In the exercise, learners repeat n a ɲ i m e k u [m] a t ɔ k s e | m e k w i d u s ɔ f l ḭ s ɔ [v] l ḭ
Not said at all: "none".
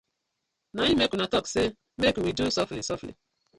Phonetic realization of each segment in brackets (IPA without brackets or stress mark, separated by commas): n, f